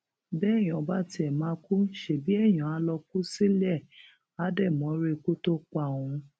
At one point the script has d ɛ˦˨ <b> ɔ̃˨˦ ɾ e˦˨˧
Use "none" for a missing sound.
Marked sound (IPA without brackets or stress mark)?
m